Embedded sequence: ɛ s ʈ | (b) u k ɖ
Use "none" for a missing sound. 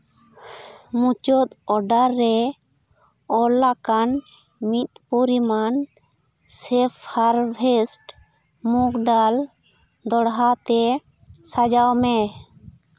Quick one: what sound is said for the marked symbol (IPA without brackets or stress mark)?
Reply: m